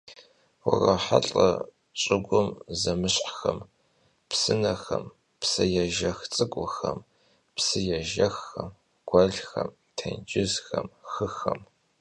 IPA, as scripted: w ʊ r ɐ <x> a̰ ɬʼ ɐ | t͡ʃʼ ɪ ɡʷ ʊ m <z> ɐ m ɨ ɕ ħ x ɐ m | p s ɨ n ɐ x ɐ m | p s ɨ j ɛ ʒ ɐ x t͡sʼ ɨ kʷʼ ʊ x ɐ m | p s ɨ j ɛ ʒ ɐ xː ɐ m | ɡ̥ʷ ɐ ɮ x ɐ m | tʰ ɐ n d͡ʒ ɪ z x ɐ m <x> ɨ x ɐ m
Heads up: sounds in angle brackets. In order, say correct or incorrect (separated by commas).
incorrect, correct, correct